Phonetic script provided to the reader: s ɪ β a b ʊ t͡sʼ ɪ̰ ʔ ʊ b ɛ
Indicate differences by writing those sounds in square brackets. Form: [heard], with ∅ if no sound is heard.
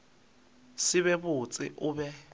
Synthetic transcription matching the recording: s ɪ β [ɛ] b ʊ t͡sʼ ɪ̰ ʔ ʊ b ɛ

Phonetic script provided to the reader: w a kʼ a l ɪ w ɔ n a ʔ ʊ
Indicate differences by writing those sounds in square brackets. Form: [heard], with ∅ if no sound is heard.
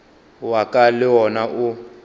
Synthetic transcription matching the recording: w a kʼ a l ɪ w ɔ n a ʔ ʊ

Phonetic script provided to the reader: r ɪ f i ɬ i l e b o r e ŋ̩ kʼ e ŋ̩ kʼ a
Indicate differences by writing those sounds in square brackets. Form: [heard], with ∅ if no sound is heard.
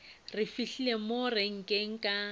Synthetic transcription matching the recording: r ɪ f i ɬ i l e [m] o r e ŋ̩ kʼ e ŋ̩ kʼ a

